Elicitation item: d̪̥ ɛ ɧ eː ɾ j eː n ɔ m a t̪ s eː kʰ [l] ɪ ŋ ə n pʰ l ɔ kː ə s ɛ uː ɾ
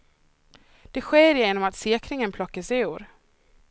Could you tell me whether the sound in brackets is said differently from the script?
yes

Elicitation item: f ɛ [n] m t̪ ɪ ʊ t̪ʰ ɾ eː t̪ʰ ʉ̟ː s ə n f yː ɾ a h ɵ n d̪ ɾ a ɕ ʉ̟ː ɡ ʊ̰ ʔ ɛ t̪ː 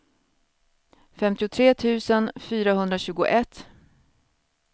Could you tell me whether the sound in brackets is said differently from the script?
yes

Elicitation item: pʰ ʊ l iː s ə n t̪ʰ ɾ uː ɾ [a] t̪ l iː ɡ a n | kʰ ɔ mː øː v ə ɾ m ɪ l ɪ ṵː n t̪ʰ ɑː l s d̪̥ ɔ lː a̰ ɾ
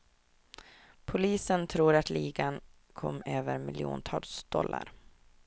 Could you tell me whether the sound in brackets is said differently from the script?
no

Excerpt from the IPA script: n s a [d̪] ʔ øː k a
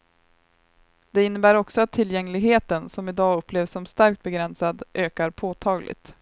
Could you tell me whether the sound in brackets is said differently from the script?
no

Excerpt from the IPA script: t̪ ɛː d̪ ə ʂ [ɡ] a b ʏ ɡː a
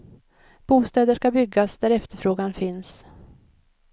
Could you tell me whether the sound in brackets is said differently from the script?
yes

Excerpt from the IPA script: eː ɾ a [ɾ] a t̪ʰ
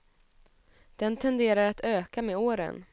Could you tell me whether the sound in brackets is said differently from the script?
no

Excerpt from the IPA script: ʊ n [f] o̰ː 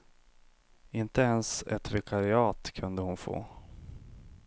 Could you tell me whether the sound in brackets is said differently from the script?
no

